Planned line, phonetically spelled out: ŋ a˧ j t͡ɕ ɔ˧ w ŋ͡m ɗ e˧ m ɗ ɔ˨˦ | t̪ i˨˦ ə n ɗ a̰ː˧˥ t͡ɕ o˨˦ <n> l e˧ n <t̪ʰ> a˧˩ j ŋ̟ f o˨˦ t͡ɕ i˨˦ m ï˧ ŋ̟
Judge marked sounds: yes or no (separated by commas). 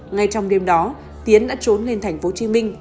yes, yes